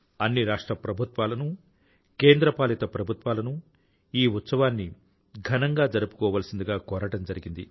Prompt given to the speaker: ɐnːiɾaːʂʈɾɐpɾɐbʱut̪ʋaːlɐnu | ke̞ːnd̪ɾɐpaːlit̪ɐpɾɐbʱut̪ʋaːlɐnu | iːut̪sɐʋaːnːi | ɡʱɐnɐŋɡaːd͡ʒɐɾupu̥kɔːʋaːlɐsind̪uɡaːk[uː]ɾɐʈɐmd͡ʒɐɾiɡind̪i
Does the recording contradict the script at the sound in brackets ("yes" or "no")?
yes